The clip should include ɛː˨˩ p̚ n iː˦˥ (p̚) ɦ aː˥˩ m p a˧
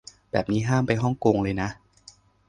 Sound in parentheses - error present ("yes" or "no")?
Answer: yes